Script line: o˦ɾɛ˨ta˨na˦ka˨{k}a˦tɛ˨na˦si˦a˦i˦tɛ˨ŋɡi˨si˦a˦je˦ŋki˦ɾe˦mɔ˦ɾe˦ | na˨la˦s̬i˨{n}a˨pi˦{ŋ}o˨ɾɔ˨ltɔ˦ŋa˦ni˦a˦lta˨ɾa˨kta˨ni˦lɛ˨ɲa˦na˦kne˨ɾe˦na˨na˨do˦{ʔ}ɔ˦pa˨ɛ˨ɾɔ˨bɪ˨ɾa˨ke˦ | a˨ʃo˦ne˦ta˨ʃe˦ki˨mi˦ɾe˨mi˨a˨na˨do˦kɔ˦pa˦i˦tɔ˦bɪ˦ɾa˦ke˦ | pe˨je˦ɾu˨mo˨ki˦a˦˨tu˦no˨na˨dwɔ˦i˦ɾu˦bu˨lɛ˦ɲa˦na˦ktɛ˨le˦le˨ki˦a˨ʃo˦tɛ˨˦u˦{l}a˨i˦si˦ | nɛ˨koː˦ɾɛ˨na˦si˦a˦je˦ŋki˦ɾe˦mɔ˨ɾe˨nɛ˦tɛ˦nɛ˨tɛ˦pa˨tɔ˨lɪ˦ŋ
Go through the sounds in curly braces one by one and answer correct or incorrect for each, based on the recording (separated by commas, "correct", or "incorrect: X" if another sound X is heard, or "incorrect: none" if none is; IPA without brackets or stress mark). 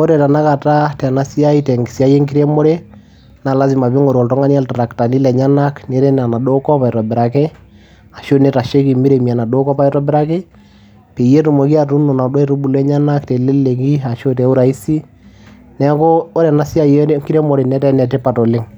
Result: incorrect: t, incorrect: m, correct, incorrect: k, incorrect: ɾ